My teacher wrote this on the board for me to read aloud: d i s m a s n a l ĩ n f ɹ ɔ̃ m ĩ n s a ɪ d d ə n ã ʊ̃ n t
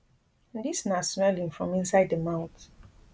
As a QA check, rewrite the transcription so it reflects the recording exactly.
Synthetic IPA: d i s n a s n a l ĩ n f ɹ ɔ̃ m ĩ n s a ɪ d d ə m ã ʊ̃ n t